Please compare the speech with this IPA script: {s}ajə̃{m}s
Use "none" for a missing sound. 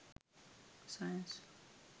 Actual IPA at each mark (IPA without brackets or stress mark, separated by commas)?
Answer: s, n